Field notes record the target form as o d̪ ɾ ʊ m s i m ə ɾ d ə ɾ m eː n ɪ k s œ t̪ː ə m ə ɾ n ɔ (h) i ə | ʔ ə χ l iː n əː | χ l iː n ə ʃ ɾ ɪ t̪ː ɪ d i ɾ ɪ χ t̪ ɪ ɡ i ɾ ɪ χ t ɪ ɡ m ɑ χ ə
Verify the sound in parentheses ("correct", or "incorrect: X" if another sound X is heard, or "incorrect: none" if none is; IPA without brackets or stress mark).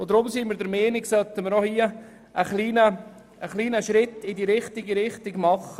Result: correct